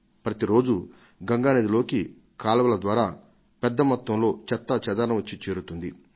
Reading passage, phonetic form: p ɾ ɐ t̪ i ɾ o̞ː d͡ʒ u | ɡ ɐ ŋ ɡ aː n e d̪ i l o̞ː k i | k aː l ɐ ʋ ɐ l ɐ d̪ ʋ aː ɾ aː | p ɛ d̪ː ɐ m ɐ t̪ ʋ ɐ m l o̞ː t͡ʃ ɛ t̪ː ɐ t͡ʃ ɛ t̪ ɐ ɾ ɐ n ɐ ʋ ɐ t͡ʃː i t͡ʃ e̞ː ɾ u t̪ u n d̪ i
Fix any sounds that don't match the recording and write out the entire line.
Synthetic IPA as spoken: p ɾ ɐ t̪ i ɾ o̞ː d͡ʒ u | ɡ ɐ ŋ ɡ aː n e d̪ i l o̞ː k i | k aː l ɐ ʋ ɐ l ɐ d̪ ʋ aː ɾ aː | p ɛ d̪ː ɐ m ɐ t̪ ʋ ɐ m l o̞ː t͡ʃ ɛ t̪ː ɐ t͡ʃ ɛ d̪ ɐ ɾ ɐ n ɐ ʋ ɐ t͡ʃː i t͡ʃ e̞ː ɾ u t̪ u n d̪ i